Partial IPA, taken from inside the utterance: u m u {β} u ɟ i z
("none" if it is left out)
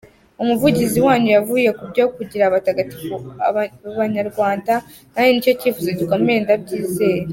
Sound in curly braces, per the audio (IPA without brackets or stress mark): v